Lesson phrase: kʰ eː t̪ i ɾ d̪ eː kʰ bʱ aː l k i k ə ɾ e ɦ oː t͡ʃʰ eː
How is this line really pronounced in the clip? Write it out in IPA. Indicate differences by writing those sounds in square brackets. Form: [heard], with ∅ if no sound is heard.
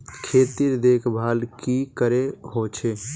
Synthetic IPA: kʰ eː t̪ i ɾ d̪ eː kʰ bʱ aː l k i k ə ɾ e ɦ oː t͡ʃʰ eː